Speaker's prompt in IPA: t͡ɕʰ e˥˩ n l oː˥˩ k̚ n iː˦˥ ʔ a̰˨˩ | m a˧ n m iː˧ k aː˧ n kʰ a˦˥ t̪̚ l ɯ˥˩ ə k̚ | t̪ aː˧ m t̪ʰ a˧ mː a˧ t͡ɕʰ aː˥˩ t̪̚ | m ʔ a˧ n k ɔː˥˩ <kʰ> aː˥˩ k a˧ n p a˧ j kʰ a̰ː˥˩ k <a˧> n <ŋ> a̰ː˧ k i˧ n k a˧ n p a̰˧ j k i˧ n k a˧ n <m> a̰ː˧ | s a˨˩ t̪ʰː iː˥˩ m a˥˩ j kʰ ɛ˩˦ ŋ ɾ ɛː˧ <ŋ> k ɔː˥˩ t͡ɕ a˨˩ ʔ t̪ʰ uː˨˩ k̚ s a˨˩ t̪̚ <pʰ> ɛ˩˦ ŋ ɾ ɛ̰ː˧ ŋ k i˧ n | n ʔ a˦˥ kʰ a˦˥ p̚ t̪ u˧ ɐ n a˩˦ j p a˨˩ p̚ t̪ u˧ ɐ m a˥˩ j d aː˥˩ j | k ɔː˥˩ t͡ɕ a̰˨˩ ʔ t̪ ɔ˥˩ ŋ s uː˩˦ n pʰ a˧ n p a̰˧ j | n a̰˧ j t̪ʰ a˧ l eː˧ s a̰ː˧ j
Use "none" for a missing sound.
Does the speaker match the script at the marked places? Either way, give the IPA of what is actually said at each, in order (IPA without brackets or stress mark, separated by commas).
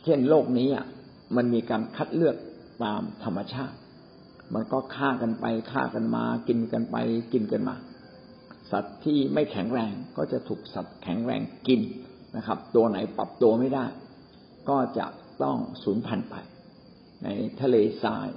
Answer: kʰ, a˧, m, m, ŋ, kʰ